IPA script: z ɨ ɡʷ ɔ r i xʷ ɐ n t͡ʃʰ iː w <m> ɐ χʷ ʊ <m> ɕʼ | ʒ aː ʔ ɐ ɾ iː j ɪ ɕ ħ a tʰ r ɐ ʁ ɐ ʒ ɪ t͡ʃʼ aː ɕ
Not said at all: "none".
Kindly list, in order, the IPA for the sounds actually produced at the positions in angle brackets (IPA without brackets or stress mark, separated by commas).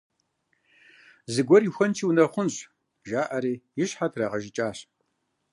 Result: n, n